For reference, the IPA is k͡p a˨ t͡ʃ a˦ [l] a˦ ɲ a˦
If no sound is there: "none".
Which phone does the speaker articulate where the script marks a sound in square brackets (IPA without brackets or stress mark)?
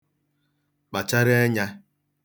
ɾ